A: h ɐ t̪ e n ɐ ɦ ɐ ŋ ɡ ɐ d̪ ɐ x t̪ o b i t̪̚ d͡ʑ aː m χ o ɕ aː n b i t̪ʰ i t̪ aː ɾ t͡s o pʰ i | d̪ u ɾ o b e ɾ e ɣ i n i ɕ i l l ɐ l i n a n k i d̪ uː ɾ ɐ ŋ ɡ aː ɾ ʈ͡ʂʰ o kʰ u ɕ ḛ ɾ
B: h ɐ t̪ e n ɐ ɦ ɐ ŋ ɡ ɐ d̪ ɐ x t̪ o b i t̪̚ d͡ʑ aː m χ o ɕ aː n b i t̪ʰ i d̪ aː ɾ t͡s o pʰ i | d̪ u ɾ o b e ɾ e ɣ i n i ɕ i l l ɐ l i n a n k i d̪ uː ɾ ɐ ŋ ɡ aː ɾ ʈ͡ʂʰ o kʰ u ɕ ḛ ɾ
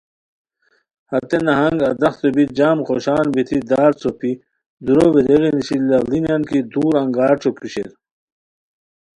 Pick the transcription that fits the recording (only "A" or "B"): B